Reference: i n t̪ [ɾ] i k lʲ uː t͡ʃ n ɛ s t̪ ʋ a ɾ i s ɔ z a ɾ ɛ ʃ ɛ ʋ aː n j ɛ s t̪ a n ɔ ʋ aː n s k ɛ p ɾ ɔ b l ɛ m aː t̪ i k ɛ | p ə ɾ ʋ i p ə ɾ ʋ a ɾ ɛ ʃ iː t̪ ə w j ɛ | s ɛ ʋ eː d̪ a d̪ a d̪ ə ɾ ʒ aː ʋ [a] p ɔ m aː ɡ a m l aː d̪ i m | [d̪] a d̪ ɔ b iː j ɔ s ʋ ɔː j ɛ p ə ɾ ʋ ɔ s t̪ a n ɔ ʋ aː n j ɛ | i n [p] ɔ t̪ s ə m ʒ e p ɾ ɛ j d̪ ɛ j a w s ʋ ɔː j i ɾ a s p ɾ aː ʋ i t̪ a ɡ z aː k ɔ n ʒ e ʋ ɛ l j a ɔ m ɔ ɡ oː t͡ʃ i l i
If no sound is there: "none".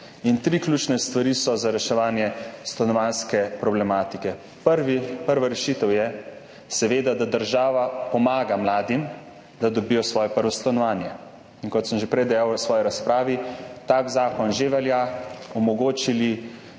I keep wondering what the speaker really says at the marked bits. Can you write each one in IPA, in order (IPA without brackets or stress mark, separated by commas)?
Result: ɾ, a, d̪, k